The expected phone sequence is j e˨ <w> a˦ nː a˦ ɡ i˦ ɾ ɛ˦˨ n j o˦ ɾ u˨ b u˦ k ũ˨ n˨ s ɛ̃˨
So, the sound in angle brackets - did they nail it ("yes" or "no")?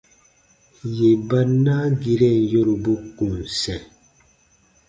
no